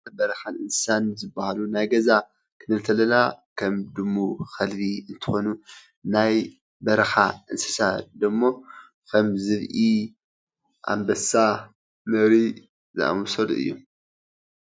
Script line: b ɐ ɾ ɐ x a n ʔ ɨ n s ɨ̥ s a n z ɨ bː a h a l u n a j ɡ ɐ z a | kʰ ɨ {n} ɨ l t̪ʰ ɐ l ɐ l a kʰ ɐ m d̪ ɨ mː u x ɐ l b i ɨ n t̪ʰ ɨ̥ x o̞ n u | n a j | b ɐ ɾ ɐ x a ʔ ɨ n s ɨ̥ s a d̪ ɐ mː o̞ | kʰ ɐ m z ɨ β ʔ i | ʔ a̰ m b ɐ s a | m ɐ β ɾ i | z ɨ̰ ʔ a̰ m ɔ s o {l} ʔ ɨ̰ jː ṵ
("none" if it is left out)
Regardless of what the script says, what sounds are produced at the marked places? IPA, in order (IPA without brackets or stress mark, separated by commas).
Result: n, l